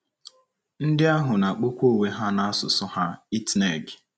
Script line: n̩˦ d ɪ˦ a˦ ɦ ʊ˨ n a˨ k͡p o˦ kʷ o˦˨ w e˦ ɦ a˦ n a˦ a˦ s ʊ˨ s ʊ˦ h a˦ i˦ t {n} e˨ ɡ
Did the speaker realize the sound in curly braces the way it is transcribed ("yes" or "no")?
yes